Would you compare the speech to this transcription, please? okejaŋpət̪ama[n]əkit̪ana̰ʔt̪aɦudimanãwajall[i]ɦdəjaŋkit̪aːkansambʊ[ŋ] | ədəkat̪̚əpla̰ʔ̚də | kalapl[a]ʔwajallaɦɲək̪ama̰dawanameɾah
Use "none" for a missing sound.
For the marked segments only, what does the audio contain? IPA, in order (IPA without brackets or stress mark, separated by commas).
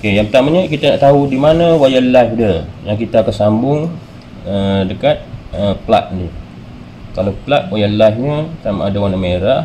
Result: ɲ, a, ŋ, a